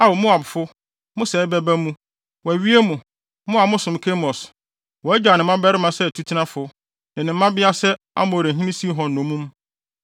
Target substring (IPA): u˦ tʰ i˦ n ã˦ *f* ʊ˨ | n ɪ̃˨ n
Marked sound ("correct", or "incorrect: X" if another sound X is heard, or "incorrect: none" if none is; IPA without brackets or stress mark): correct